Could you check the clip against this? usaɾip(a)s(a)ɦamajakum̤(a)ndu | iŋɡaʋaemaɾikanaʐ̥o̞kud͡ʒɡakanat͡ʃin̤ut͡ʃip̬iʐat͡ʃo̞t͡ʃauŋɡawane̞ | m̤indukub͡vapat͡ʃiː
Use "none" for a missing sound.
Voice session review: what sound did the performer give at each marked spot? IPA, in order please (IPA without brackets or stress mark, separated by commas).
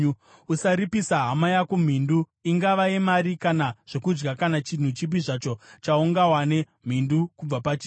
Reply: i, a, i